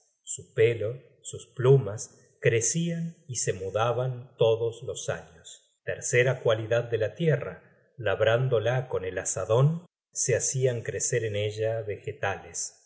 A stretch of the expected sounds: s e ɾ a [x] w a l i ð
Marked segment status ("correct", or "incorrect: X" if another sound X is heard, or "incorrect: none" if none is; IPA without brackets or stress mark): incorrect: k